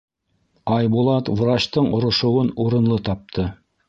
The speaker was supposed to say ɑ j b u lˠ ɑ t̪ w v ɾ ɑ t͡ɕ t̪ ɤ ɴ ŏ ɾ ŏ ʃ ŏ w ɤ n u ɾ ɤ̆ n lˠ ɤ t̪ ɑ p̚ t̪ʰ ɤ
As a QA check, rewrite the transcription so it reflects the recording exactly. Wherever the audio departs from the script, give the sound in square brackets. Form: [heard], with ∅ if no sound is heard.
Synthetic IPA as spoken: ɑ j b u lˠ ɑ t̪ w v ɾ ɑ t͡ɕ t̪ ɤ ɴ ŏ ɾ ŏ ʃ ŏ w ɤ n u ɾ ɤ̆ n lˠ ɤ t̪ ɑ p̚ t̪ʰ ɤ

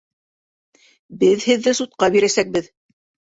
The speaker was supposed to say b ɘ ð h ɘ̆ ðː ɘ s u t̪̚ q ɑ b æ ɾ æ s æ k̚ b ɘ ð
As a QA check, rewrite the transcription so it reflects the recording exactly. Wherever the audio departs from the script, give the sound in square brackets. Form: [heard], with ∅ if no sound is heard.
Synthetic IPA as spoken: b ɘ ð h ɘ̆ ðː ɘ s u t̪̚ q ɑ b [i] ɾ æ s æ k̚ b ɘ ð

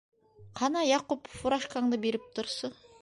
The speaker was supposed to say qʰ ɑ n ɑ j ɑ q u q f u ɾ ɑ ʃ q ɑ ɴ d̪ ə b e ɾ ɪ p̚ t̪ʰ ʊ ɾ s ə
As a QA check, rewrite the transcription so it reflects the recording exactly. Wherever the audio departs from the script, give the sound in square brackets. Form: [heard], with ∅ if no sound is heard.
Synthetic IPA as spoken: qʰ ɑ n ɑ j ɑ q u [p] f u ɾ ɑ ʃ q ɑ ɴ d̪ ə b e ɾ ɪ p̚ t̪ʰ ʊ ɾ s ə

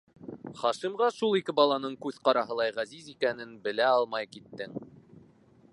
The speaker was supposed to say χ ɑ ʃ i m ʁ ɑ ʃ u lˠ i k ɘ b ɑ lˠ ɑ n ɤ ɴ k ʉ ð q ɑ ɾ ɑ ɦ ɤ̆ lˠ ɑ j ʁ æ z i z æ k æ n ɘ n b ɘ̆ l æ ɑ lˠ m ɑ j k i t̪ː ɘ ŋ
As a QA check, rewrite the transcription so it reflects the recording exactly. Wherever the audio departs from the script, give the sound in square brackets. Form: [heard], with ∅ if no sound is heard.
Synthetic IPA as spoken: χ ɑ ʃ i m ʁ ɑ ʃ u lˠ i k ɘ b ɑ lˠ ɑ n ɤ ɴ k ʉ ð q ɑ ɾ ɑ ɦ ɤ̆ lˠ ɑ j ʁ æ z i z [i] k æ n ɘ n b ɘ̆ l æ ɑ lˠ m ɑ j k i t̪ː ɘ ŋ

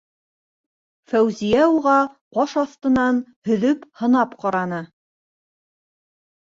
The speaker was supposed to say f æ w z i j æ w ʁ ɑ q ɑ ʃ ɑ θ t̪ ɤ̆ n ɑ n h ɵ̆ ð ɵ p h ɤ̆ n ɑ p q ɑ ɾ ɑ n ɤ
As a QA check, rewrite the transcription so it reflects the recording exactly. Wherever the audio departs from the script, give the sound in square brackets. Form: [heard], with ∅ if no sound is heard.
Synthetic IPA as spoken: f æ w z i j æ [u] ʁ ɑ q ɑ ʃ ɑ θ t̪ ɤ̆ n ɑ n h ɵ̆ ð ɵ p h ɤ̆ n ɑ p q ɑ ɾ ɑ n ɤ

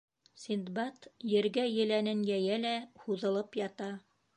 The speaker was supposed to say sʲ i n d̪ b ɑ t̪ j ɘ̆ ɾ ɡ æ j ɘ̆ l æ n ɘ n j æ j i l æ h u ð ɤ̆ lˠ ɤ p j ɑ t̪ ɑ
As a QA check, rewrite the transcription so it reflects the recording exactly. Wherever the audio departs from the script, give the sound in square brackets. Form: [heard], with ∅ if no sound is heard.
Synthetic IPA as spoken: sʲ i n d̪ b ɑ t̪ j ɘ̆ ɾ ɡ æ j ɘ̆ l æ n ɘ n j æ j [æ] l æ h u ð ɤ̆ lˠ ɤ p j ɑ t̪ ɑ

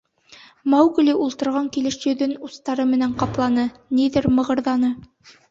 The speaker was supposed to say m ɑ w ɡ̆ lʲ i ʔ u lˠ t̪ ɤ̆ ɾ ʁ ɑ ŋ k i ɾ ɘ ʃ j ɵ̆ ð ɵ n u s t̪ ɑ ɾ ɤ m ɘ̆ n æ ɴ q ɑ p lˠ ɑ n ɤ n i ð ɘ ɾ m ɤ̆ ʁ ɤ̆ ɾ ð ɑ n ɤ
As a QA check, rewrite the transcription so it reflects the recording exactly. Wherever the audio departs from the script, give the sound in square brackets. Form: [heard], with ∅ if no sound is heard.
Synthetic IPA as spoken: m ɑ w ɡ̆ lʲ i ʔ u lˠ t̪ ɤ̆ ɾ ʁ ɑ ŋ k i [l] ɘ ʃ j ɵ̆ ð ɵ n u s t̪ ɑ ɾ ɤ m ɘ̆ n æ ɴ q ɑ p lˠ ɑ n ɤ n i ð ɘ ɾ m ɤ̆ ʁ ɤ̆ ɾ ð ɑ n ɤ

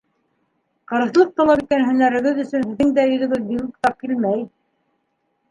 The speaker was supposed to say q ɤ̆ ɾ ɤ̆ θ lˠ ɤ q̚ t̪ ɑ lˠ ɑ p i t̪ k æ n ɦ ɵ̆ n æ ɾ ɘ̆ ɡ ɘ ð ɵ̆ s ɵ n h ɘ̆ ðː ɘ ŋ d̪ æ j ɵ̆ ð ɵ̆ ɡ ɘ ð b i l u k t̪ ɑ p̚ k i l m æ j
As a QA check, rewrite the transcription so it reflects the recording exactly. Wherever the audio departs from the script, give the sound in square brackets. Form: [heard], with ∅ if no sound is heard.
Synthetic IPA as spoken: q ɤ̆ ɾ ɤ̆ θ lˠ ɤ q̚ t̪ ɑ lˠ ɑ p i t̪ k æ n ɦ ɵ̆ n æ ɾ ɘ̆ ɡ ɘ ð ɵ̆ s ɵ n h ɘ̆ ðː ɘ ŋ d̪ æ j ɵ̆ ð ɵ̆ ɡ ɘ ð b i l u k t̪ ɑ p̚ k i l m æ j

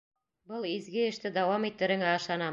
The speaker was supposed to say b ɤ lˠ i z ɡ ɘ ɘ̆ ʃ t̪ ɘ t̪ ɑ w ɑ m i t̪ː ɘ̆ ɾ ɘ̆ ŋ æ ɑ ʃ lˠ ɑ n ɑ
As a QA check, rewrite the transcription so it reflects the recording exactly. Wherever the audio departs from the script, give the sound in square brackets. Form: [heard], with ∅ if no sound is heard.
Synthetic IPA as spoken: b ɤ lˠ i z ɡ ɘ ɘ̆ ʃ t̪ ɘ [d̪] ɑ w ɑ m i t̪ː ɘ̆ ɾ ɘ̆ ŋ æ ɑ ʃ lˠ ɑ n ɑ

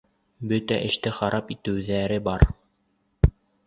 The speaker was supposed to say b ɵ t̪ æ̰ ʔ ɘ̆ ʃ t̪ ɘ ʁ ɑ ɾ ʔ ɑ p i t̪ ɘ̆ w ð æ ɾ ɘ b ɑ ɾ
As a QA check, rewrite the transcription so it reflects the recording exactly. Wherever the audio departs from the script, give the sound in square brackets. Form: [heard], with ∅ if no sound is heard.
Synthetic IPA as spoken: b ɵ t̪ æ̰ ʔ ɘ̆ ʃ t̪ ɘ [χ] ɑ ɾ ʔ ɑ p i t̪ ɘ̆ w ð æ ɾ ɘ b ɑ ɾ

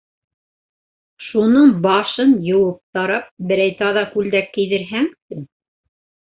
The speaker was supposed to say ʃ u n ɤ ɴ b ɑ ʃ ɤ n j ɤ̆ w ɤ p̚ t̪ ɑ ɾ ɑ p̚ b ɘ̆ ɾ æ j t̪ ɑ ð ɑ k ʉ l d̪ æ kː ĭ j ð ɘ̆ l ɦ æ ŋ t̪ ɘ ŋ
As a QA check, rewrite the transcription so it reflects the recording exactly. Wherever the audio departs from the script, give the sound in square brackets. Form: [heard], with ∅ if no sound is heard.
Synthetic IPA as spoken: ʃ u n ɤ ɴ b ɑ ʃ ɤ n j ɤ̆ w ɤ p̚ t̪ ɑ ɾ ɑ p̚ b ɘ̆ ɾ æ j t̪ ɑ ð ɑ k ʉ l d̪ æ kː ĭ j ð ɘ̆ [ɾ] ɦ æ ŋ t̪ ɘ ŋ

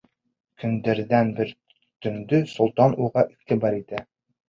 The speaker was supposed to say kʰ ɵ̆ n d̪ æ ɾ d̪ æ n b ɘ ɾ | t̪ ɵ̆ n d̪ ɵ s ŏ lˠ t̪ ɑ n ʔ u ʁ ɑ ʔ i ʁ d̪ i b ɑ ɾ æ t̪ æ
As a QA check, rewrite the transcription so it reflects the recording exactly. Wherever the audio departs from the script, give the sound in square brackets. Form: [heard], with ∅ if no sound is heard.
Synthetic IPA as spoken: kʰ ɵ̆ n d̪ æ ɾ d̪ æ n b ɘ ɾ | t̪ ɵ̆ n d̪ ɵ s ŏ lˠ t̪ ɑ n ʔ u ʁ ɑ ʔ i ʁ [t̪] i b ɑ ɾ [i] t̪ æ

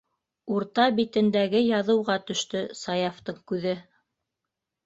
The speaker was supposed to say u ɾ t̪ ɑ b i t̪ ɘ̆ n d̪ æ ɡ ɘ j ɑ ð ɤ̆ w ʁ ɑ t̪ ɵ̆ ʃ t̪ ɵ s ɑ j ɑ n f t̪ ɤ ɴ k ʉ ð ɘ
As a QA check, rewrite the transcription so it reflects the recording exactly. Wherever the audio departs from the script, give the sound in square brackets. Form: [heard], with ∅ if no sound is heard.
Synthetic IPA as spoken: u ɾ t̪ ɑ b i t̪ ɘ̆ n d̪ æ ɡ ɘ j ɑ ð ɤ̆ w ʁ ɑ t̪ ɵ̆ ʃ t̪ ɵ s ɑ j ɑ [∅] f t̪ ɤ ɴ k ʉ ð ɘ

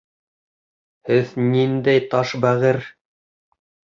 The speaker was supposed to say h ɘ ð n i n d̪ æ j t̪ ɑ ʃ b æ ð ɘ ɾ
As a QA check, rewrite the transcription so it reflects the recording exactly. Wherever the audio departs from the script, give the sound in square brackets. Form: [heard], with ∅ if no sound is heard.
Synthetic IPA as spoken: h ɘ ð n i n d̪ æ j t̪ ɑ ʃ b æ [ʁ] ɘ ɾ

